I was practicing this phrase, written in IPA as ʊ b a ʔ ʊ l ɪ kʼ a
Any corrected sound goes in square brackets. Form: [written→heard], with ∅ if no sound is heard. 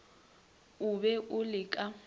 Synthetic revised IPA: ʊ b [a→ɛ] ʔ ʊ l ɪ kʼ a